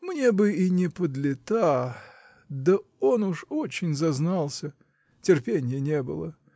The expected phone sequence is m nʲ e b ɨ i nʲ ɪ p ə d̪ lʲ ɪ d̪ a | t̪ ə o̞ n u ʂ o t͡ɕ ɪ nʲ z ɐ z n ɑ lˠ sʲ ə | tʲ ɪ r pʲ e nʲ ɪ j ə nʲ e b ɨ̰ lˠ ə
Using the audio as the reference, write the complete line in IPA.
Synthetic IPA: m nʲ e b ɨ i nʲ ɪ p ə d̪ lʲ ɪ t̪ a | d̪ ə o̞ n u ʂ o t͡ɕ ɪ nʲ z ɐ z n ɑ lˠ sʲ ə | tʲ ɪ r pʲ e nʲ ɪ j ə nʲ e b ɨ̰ lˠ ə